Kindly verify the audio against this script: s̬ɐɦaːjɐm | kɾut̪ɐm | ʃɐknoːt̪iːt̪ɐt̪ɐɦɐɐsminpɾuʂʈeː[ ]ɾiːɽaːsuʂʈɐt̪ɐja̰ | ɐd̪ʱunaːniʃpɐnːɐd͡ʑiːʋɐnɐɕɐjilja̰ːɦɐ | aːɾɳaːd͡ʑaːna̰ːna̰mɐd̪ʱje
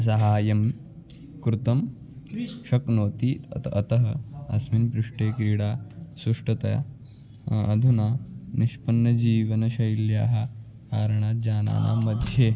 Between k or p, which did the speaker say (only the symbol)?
k